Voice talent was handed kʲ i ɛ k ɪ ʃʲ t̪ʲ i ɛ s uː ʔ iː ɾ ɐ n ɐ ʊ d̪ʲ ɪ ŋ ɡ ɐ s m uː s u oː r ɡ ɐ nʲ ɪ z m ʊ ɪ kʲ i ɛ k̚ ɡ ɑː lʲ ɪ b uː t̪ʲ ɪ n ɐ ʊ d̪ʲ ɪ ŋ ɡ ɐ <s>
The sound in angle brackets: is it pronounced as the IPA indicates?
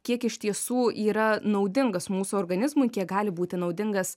yes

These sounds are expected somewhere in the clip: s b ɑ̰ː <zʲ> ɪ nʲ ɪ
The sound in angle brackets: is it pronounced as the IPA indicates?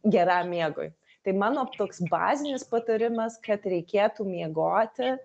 yes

